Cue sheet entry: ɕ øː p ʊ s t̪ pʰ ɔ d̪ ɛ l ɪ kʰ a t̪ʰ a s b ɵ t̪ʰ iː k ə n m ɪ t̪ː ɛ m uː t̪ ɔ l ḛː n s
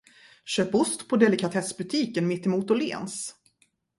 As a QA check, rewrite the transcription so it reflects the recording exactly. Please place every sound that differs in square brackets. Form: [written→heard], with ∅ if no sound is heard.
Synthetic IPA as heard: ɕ øː p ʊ s t̪ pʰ ɔ d̪ ɛ l ɪ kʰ a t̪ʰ [a→ɛ] s b ɵ t̪ʰ iː k ə n m ɪ t̪ː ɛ m uː t̪ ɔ l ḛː n s